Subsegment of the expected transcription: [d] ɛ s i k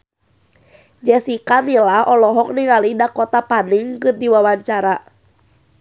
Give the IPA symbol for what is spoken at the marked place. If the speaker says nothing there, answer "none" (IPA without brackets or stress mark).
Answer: d͡ʒ